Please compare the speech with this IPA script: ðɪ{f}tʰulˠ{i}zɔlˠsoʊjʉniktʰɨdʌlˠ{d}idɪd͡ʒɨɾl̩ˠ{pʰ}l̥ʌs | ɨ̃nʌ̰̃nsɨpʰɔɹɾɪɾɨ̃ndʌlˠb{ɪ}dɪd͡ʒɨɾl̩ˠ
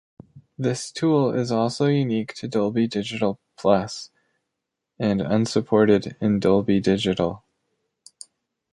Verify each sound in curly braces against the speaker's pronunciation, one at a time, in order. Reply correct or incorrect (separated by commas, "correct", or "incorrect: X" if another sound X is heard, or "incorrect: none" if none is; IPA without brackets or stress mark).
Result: incorrect: s, incorrect: ɪ, incorrect: b, correct, incorrect: i